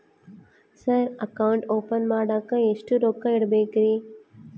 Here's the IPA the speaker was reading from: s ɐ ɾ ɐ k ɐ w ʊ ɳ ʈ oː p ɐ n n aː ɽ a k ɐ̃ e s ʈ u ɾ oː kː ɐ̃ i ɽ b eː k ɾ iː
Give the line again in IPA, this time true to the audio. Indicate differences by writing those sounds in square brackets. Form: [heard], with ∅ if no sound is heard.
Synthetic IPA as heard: s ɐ ɾ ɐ k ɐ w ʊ ɳ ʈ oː p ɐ n [m] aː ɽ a k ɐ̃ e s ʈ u ɾ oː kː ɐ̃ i ɽ b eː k ɾ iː